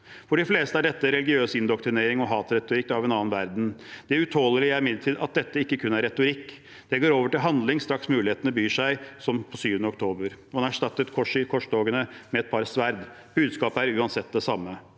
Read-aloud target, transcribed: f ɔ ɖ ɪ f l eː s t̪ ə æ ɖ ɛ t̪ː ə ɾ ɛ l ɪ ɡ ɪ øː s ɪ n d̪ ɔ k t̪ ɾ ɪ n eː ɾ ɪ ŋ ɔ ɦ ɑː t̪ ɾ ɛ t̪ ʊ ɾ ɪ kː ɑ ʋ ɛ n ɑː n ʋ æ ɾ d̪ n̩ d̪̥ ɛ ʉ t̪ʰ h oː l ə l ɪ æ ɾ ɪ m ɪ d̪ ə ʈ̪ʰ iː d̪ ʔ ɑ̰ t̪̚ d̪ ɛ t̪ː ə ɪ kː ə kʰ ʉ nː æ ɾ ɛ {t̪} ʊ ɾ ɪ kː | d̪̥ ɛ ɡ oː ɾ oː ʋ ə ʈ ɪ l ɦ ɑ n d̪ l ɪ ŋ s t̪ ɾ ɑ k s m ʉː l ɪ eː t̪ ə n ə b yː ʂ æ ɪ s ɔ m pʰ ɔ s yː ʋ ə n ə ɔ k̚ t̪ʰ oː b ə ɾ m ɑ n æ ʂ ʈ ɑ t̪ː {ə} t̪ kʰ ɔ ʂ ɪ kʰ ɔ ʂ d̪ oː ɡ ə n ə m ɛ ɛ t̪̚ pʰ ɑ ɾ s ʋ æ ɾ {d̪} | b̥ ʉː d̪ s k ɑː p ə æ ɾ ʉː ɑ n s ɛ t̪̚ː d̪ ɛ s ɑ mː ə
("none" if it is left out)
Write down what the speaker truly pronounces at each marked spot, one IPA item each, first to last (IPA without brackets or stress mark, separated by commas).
t̪, ə, d̪